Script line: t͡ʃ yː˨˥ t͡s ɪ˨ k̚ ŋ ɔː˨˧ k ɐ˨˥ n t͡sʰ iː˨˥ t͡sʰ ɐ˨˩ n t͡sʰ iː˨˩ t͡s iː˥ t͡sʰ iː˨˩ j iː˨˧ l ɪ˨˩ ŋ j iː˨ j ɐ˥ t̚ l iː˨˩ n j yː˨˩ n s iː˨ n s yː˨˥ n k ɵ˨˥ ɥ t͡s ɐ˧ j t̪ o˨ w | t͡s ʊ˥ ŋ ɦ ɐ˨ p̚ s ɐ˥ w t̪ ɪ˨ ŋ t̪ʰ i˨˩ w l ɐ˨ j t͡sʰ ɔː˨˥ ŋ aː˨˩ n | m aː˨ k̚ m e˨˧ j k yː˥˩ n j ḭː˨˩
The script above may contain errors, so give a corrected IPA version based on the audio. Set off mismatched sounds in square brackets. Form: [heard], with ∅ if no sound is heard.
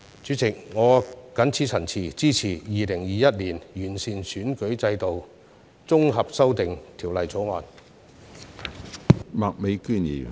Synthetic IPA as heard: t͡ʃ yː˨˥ t͡s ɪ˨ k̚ ŋ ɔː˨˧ k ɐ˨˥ n t͡sʰ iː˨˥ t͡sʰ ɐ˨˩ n t͡sʰ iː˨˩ t͡s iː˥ t͡sʰ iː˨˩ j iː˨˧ l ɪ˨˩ ŋ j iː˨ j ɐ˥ t̚ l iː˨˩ n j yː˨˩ n s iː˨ n s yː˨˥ n k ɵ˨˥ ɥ t͡s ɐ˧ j t̪ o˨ w | t͡s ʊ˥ ŋ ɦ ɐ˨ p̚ s ɐ˥ w t̪ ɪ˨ ŋ t̪ʰ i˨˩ w l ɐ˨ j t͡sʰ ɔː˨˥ ŋ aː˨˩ n | m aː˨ k̚ m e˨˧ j k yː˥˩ n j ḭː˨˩